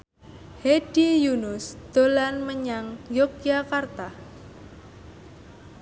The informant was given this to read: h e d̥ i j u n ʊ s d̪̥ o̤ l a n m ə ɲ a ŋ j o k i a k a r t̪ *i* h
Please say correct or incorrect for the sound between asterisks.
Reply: incorrect